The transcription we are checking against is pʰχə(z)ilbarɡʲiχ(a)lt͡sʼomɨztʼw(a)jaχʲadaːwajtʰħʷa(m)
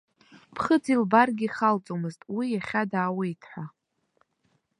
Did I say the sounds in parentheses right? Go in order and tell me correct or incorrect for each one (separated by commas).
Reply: incorrect, correct, incorrect, incorrect